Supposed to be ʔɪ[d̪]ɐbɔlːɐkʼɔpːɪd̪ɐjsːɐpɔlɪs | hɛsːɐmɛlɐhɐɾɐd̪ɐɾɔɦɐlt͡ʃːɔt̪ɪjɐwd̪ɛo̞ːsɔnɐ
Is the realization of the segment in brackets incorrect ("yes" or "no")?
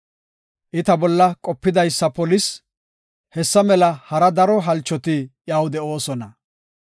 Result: yes